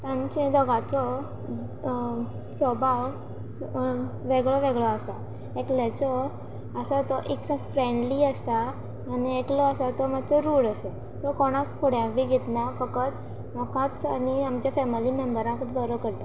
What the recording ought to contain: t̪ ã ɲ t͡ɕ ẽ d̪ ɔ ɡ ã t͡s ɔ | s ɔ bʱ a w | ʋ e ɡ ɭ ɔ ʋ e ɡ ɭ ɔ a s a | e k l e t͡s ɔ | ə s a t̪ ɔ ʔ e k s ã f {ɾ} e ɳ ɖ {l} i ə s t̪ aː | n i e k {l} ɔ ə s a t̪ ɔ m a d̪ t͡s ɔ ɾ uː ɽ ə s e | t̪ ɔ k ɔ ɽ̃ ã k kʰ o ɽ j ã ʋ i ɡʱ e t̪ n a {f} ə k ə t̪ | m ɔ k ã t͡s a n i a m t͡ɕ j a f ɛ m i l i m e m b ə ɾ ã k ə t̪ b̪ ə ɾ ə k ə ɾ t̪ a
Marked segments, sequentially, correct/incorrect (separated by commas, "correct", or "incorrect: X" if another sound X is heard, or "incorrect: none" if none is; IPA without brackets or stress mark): correct, correct, correct, correct